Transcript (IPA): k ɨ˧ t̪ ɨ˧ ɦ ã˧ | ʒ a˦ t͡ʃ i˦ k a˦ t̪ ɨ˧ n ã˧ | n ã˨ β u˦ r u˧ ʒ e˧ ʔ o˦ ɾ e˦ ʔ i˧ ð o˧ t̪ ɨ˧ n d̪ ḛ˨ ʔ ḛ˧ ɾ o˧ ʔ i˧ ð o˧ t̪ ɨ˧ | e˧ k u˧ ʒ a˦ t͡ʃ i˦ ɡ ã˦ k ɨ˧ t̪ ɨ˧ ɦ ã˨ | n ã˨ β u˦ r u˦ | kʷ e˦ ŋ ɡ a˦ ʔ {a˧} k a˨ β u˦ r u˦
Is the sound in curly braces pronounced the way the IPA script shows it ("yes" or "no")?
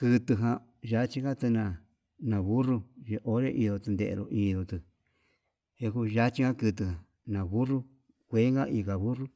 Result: no